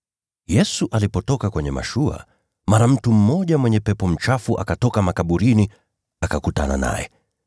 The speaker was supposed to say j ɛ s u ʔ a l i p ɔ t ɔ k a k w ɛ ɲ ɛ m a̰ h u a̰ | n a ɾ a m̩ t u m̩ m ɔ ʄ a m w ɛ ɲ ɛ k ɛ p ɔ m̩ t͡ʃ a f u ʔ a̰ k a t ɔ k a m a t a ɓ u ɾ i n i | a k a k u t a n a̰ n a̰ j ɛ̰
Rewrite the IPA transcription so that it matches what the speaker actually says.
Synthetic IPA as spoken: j ɛ s u ʔ a l i p ɔ t ɔ k a k w ɛ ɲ ɛ m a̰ ʃ u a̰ | m a ɾ a m̩ t u m̩ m ɔ ʄ a m w ɛ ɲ ɛ p ɛ p ɔ m̩ t͡ʃ a f u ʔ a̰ k a t ɔ k a m a k a ɓ u ɾ i n i | a k a k u t a n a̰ n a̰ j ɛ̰

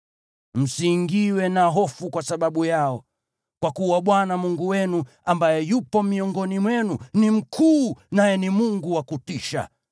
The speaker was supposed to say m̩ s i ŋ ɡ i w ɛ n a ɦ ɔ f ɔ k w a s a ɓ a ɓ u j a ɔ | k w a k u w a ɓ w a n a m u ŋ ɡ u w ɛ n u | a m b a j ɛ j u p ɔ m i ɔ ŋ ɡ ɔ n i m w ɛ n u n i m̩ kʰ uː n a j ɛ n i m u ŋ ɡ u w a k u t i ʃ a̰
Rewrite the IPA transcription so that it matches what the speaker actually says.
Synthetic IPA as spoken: m̩ s i ŋ ɡ i w ɛ n a ɦ ɔ f u k w a s a ɓ a ɓ u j a ɔ | k w a k u w a ɓ w a n a m u ŋ ɡ u w ɛ n u | a m b a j ɛ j u p ɔ m i ɔ ŋ ɡ ɔ n i m w ɛ n u n i m̩ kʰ uː n a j ɛ n i m u ŋ ɡ u w a k u t i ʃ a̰

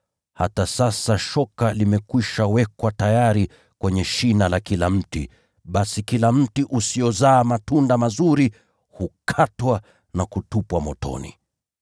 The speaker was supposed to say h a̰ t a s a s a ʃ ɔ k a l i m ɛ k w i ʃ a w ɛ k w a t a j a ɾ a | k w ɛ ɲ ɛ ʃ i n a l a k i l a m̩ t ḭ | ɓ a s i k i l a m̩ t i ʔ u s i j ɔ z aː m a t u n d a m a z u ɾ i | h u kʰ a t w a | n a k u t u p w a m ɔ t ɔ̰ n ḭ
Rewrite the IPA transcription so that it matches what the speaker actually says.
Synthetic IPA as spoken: h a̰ t a s a s a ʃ ɔ k a l i m ɛ k w i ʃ a w ɛ k w a t a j a ɾ i | k w ɛ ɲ ɛ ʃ i n a l a k i l a m̩ t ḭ | ɓ a s i k i l a m̩ t i ʔ u s i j ɔ z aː m a t u n d a m a z u ɾ i | h u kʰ a t w a | n a k u t u p w a m ɔ t ɔ̰ n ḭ

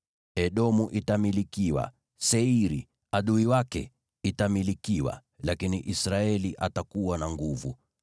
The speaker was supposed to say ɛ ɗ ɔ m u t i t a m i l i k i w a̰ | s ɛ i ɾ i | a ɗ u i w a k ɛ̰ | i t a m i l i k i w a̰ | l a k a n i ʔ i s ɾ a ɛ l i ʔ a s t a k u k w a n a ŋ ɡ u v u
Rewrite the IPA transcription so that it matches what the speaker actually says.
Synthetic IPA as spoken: ɛ ɗ ɔ m u ʔ i t a m i l i k i w a̰ | s ɛ i ɾ i | a ɗ u i w a k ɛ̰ | i t a m i l i k i w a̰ | l a k i n i ʔ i s ɾ a ɛ l i ʔ a t a k u w a n a ŋ ɡ u v u

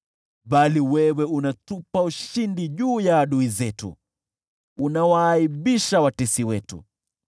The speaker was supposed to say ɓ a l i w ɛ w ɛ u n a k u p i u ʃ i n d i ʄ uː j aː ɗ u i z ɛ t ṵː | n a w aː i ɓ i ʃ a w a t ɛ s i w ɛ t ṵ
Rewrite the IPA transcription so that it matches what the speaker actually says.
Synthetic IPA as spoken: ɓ a l i w ɛ w ɛ u n a t u p a u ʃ i n d i ʄ uː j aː ɗ u i z ɛ t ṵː | n a w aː i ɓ i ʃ a w a t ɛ s i w ɛ t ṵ

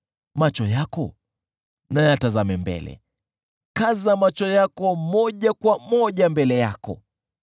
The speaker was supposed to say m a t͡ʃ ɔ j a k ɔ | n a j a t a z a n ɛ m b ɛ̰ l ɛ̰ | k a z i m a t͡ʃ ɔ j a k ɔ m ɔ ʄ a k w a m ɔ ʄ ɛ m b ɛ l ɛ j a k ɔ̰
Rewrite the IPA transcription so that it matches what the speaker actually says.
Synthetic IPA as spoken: m a t͡ʃ ɔ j a k ɔ | n a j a t a z a m ɛ m b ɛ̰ l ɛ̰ | k a z a m a t͡ʃ ɔ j a k ɔ m ɔ ʄ a k w a m ɔ ʄ a m b ɛ l ɛ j a k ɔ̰

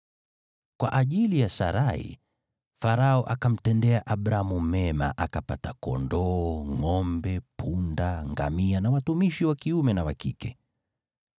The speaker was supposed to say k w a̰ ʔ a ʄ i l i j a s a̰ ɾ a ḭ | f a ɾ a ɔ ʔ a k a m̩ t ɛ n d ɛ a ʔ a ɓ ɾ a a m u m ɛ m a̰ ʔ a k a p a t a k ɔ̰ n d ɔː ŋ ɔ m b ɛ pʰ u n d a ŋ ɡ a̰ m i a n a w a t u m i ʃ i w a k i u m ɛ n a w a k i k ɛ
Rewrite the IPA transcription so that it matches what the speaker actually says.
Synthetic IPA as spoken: k w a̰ ʔ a ʄ i l i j a s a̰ ɾ a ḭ | f a ɾ a ɔ ʔ a k a m̩ t ɛ n d ɛ a ʔ a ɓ ɾ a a m u m ɛ m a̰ ʔ a k a p a t a k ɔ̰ n d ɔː ŋ ɔ m b ɛ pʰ u n d a ŋ ɡ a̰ m i a n a w a t u m i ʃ i w a k i u m ɛ n a w a k i k ɛ

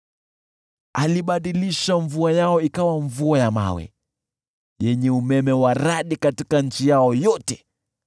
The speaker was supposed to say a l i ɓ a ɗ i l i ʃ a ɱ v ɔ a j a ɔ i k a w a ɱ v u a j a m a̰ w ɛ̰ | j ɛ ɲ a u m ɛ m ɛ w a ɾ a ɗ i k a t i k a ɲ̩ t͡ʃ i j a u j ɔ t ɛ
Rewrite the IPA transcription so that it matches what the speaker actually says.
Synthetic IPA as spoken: a l i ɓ a ɗ i l i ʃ a ɱ v u a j a ɔ i k a w a ɱ v u a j a m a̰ w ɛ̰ | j ɛ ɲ ɛ u m ɛ m ɛ w a ɾ a ɗ i k a t i k a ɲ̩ t͡ʃ i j a ɔ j ɔ t ɛ

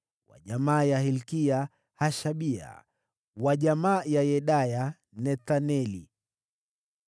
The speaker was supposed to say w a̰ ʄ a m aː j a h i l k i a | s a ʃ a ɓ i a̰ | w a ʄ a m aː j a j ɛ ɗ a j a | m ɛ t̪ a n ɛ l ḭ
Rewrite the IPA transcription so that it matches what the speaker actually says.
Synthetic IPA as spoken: w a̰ ʄ a m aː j a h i l k i a | h a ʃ a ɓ i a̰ | w a ʄ a m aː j a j ɛ ɗ a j a | n ɛ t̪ a n ɛ l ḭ

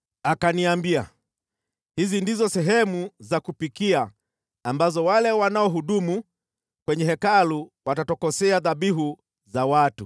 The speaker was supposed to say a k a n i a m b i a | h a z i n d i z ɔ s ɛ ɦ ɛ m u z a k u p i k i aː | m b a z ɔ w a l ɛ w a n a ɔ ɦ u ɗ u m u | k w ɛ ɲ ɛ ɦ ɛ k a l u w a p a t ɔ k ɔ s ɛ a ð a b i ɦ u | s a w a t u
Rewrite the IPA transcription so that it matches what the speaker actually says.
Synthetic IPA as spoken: a k a n i a m b i a | h i z i n d i z ɔ s ɛ ɦ ɛ m u z a k u p i k i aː | m b a z ɔ w a l ɛ w a n a ɔ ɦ u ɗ u m u | k w ɛ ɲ ɛ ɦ ɛ k a l u w a t a t ɔ k ɔ s ɛ a ð a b i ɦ u | z a w a t u

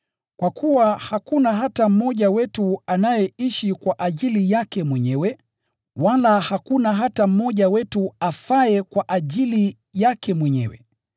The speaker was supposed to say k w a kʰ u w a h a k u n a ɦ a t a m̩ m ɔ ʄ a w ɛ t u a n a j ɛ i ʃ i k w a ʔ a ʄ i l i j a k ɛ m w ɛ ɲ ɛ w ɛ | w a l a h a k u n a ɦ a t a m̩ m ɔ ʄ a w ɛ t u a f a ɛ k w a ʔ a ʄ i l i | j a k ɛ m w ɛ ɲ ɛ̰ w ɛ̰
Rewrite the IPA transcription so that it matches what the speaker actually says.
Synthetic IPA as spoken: k w a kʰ u w a h a k u n a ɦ a t a m̩ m ɔ ʄ a w ɛ t u a n a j ɛ i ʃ i k w a ʔ a ʄ i l i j a k ɛ m w ɛ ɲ ɛ w ɛ | w a l a h a k u n a ɦ a t a m̩ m ɔ ʄ a w ɛ t u a f a ɛ k w a ʔ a ʄ i l i | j a k ɛ m w ɛ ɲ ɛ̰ w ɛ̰

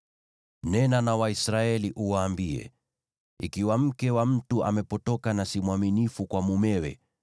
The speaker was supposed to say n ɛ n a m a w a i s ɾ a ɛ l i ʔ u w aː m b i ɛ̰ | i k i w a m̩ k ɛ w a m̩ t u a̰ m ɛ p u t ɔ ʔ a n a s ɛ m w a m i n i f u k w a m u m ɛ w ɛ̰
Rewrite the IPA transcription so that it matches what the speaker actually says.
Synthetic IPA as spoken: n ɛ n a n a w a i s ɾ a ɛ l i ʔ u w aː m b i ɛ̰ | i k i w a m̩ k ɛ w a m̩ t u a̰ m ɛ p ɔ t ɔ k a n a s i m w a m i n i f u k w a m u m ɛ w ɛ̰

